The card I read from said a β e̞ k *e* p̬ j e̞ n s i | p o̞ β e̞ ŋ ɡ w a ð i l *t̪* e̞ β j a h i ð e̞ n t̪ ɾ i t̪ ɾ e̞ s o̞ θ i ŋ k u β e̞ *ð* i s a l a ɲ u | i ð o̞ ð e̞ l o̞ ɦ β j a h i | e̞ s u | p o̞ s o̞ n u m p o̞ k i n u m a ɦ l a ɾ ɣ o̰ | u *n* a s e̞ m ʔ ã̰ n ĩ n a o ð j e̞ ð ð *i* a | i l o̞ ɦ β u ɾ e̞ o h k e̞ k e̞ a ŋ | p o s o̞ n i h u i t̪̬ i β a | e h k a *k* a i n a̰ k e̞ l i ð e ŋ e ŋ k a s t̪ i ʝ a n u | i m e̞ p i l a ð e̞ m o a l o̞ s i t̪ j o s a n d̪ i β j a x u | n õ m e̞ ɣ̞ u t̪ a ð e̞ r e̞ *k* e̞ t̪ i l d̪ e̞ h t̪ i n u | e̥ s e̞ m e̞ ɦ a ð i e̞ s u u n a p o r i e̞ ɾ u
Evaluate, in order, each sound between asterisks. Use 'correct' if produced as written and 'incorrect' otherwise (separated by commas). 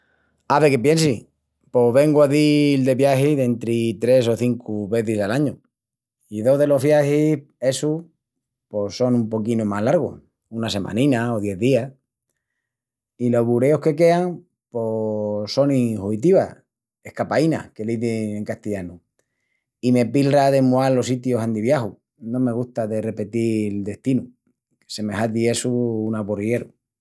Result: correct, incorrect, incorrect, correct, correct, incorrect, incorrect